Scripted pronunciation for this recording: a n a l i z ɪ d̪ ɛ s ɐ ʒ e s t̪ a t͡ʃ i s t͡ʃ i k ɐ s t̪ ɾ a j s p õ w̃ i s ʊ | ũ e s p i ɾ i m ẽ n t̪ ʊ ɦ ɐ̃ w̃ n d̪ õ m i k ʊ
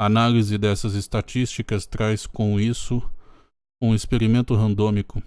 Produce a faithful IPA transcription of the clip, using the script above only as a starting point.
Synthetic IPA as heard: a n a l i z ɪ d̪ ɛ s ɐ z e s t̪ a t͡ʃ i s t͡ʃ i k ɐ s t̪ ɾ a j s k õ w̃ i s ʊ | ũ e s p e ɾ i m ẽ n t̪ ʊ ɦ ɐ̃ n d̪ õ m i k ʊ

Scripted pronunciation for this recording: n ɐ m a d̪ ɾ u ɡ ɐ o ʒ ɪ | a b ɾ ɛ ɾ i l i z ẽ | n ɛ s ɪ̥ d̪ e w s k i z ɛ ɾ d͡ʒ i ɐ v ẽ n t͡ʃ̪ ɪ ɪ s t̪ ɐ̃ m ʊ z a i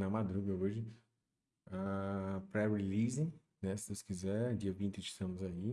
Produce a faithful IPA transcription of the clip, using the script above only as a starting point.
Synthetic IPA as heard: n ɐ m a d̪ ɾ u ɡ ɐ o ʒ ɪ | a p ɾ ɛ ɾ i l i z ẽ | n ɛ s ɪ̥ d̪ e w s k i z ɛ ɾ d͡ʒ i ɐ v ĩ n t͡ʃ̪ ɪ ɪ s t̪ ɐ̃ m ʊ z a i

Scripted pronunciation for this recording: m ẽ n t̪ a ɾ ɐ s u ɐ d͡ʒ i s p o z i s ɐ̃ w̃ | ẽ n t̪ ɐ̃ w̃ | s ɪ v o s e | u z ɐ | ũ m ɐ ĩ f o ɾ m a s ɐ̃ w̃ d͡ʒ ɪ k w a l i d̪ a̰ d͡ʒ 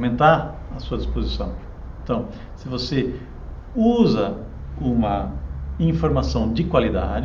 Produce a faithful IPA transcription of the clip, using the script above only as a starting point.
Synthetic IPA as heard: m ẽ n t̪ a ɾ ɐ s u ɐ d͡ʒ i s p o z i s ɐ̃ w̃ | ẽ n t̪ ɐ̃ w̃ | s ɪ v o s e | u z ɐ | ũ m ɐ ĩ f o ɾ m a s ɐ̃ w̃ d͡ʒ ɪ k w a l i d̪ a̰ d͡ʒ

